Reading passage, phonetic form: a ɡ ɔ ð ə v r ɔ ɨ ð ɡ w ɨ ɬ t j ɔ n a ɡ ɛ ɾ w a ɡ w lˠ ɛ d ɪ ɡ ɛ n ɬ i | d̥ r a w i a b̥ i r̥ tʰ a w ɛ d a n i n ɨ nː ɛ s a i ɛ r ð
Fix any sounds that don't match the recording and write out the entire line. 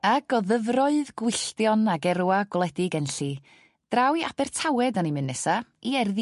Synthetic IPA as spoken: a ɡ ɔ ð ə v r ɔ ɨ ð ɡ w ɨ ɬ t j ɔ n a ɡ ɛ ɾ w a ɡ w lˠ ɛ d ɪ ɡ ɛ n ɬ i | d̥ r a w i a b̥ ɛ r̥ tʰ a w ɛ d a n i m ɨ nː ɛ s a i ɛ r ð